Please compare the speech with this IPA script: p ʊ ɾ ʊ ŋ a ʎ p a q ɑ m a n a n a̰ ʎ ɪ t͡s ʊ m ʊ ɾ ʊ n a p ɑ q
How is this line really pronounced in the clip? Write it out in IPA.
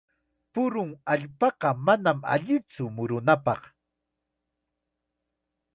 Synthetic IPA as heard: p ʊ ɾ ʊ ŋ a ʎ p ɑ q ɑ m a n a m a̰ ʎ ɪ t͡s ʊ m ʊ ɾ ʊ n a p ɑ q